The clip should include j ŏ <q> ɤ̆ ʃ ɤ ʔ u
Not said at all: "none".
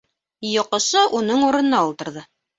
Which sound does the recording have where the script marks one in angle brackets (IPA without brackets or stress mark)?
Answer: q